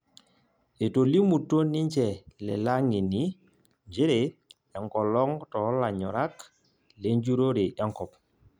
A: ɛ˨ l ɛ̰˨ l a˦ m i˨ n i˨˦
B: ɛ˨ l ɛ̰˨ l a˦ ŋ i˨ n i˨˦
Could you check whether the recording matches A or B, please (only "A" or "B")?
B